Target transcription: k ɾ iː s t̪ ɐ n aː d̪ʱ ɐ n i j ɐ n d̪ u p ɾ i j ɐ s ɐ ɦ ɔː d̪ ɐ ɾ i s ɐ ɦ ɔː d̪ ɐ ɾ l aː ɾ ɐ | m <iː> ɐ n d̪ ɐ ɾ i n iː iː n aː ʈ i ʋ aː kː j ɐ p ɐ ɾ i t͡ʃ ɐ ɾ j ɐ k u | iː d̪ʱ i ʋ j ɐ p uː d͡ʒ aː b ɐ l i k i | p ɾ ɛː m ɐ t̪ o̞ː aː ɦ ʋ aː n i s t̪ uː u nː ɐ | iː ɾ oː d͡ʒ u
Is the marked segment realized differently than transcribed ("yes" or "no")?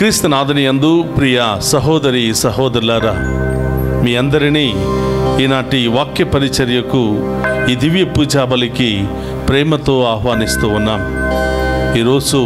no